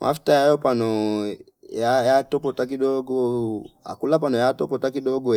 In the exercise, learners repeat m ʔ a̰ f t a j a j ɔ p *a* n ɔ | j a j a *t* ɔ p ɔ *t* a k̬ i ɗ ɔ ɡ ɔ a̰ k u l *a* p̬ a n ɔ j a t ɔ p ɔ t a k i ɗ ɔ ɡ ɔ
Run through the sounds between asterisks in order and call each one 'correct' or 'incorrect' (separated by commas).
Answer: correct, correct, correct, correct